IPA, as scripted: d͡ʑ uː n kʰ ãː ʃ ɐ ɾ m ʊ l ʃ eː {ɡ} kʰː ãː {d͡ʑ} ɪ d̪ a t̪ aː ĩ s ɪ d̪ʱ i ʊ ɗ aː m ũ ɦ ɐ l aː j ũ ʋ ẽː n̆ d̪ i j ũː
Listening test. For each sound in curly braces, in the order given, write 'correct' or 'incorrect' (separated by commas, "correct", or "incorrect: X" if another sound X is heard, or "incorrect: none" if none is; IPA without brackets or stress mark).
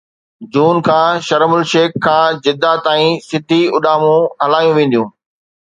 incorrect: k, correct